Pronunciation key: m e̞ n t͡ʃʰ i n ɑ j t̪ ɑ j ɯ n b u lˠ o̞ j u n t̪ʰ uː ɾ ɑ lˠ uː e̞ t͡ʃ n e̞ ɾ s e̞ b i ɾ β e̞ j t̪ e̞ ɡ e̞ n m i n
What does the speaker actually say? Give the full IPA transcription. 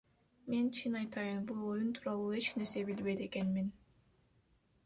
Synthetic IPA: m e̞ n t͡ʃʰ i n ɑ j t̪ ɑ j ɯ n b u lˠ o̞ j u n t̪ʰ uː ɾ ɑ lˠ uː e̞ t͡ʃ n e̞ ɾ s e̞ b i l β e̞ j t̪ e̞ k e̞ n m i n